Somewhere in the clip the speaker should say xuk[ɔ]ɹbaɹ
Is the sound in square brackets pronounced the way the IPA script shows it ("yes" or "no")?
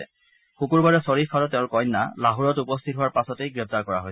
no